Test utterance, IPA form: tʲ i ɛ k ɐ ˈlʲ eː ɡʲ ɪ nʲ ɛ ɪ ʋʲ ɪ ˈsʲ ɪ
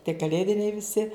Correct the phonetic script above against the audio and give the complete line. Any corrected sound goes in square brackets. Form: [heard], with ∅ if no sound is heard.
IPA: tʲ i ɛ k ɐ ˈlʲ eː [dʲ] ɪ nʲ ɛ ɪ ʋʲ ɪ ˈsʲ ɪ